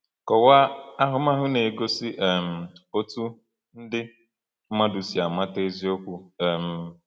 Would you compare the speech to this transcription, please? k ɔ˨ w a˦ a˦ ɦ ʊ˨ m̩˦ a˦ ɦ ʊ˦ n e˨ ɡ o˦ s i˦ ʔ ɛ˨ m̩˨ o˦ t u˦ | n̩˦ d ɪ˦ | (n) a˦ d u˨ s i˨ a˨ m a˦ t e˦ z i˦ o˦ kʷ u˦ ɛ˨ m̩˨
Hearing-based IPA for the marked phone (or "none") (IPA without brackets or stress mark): m